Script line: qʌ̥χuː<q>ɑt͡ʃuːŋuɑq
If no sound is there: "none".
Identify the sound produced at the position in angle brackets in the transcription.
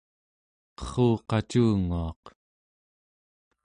q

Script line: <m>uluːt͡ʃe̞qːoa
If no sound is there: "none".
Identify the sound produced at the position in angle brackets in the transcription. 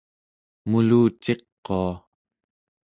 m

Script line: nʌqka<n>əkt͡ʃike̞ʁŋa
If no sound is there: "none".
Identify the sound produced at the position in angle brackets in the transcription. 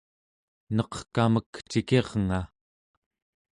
m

